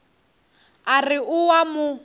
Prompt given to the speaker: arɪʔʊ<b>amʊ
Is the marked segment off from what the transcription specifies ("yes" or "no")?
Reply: yes